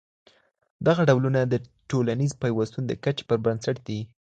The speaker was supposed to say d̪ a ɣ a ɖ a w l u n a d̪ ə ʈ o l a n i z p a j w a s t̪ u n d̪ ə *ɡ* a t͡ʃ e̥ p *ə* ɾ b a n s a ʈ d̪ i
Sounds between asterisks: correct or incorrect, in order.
incorrect, correct

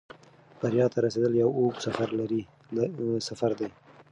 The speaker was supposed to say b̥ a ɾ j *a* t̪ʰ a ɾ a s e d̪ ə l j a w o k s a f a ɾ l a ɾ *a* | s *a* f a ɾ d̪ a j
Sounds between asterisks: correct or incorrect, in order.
incorrect, incorrect, correct

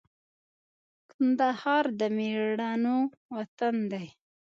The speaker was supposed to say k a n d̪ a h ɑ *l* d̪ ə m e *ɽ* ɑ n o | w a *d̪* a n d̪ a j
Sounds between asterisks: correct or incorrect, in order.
incorrect, correct, incorrect

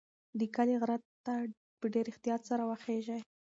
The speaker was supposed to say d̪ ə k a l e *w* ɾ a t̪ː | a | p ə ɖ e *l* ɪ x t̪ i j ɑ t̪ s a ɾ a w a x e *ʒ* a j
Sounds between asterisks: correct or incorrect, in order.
incorrect, incorrect, correct

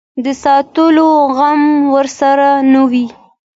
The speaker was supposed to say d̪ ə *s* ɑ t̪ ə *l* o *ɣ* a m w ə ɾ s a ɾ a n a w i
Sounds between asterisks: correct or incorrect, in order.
correct, correct, correct

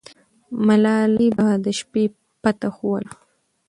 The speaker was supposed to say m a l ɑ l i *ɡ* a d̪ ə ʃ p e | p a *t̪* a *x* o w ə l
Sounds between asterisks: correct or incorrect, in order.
incorrect, correct, correct

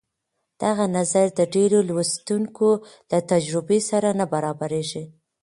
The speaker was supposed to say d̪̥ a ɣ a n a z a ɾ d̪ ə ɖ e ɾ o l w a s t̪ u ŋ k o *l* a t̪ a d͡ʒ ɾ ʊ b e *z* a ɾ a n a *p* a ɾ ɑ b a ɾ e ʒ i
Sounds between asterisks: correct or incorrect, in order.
correct, incorrect, incorrect

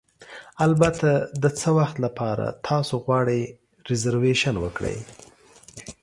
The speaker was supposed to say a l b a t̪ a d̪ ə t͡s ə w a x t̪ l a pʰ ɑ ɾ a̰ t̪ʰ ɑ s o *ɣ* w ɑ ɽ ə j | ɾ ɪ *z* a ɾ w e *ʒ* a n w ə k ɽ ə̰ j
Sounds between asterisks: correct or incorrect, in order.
correct, correct, incorrect

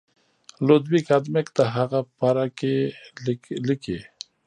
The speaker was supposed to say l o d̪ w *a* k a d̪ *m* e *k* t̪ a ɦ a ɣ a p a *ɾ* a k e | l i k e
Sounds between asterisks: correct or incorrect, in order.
incorrect, correct, correct, correct

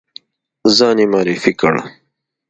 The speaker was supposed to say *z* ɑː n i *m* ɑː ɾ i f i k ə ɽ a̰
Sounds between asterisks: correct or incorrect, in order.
correct, correct

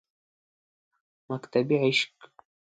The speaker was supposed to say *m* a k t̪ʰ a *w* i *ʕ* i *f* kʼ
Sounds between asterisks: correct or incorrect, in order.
correct, incorrect, correct, incorrect

